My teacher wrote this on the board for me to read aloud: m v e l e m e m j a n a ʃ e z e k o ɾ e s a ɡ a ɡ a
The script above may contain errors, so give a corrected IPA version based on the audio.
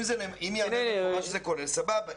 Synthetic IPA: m z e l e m i m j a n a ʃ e z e k o ɾ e s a b a b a